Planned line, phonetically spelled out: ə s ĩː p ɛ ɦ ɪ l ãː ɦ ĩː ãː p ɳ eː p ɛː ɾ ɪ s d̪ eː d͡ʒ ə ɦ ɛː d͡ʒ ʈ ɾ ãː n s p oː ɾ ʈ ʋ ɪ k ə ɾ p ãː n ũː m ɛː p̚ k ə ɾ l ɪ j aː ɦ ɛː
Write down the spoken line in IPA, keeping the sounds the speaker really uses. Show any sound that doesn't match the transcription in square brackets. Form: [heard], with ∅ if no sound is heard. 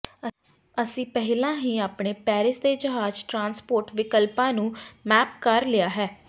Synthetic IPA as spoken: ə s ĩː p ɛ ɦ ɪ l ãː ɦ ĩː [aː] p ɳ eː p ɛː ɾ ɪ s d̪ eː d͡ʒ ə ɦ [aː] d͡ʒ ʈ ɾ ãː n s p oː ɾ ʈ ʋ ɪ k ə [l] p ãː n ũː m ɛː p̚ k ə ɾ l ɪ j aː ɦ ɛː

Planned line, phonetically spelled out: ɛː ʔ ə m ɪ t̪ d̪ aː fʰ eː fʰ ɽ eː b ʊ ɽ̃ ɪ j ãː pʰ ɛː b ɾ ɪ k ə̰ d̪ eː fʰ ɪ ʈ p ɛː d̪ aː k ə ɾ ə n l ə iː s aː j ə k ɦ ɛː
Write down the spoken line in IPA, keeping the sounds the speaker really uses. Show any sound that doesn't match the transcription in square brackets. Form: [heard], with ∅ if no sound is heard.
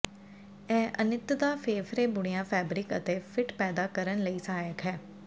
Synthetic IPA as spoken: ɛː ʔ ə [n] ɪ t̪ d̪ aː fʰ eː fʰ [ɾ] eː b ʊ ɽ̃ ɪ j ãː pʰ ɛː b ɾ ɪ k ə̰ [t̪] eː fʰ ɪ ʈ p ɛː d̪ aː k ə ɾ ə n l ə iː s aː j ə k ɦ ɛː

